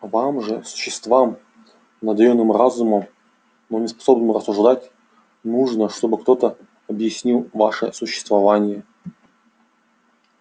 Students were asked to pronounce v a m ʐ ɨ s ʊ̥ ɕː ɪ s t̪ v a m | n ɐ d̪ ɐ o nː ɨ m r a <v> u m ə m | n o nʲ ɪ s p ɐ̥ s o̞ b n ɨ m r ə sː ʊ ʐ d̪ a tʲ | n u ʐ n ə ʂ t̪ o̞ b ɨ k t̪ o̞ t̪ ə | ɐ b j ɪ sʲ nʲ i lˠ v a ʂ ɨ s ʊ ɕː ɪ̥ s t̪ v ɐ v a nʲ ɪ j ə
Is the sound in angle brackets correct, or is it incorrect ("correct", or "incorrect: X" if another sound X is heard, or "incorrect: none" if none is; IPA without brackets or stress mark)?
incorrect: z